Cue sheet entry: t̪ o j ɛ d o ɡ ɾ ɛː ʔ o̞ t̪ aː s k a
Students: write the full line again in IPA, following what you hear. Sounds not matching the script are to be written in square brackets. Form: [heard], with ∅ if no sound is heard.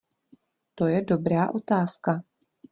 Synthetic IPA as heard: t̪ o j ɛ d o [b] ɾ [aː] ʔ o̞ t̪ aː s k a